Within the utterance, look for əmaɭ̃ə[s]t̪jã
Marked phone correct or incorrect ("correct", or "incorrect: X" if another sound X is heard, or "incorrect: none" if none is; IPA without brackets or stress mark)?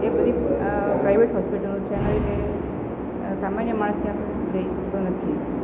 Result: correct